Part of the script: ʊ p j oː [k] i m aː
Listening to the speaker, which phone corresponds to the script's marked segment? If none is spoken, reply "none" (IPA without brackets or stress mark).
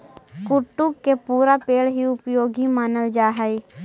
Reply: ɡ